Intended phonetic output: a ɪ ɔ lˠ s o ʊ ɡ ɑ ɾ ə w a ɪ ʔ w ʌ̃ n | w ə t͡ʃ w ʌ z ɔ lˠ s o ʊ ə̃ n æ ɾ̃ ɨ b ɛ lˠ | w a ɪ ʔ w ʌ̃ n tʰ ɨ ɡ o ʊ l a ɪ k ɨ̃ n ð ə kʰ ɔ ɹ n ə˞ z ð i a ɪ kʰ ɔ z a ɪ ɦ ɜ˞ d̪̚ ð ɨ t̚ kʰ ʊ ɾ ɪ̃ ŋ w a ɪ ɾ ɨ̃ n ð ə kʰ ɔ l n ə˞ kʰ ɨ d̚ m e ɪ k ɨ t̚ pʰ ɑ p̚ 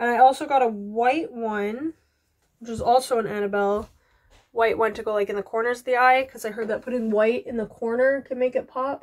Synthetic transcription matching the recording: a ɪ ɔ lˠ s o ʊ ɡ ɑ ɾ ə w a ɪ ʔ w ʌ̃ n | w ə t͡ʃ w ʌ z ɔ lˠ s o ʊ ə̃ n æ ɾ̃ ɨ b ɛ lˠ | w a ɪ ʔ w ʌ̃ n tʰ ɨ ɡ o ʊ l a ɪ k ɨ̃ n ð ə kʰ ɔ ɹ n ə˞ z ð i a ɪ kʰ ʌ z a ɪ ɦ ɜ˞ d̪̚ ð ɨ t̚ pʰ ʊ ɾ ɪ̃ ŋ w a ɪ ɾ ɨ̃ n ð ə kʰ ɔ ɹ n ə˞ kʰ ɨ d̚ m e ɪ k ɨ t̚ pʰ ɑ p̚